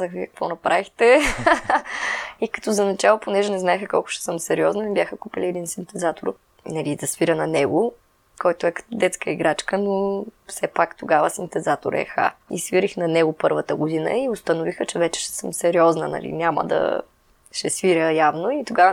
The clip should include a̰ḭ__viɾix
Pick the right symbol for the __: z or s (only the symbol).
s